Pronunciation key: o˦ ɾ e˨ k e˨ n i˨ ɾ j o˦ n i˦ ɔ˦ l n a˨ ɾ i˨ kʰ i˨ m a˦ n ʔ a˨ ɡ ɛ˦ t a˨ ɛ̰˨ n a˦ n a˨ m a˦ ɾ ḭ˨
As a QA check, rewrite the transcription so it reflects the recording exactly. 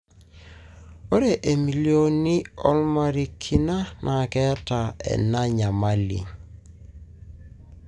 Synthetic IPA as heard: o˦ ɾ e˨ ʔ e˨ m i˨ l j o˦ n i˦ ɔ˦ l m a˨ ɾ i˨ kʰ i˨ n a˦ n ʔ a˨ k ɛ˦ t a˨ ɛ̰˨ n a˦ ɲ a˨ m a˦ l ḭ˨